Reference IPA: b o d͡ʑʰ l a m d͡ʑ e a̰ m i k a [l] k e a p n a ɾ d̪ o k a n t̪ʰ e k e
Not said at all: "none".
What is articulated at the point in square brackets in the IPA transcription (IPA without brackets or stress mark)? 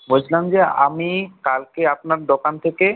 l